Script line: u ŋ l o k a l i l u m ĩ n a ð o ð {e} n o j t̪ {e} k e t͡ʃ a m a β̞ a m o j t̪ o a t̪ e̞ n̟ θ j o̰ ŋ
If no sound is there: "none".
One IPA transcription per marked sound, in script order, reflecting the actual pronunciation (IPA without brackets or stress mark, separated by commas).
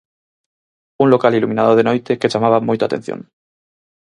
e, e